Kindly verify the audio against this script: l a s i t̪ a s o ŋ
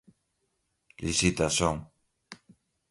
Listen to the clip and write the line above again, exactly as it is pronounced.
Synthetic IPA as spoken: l i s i t̪ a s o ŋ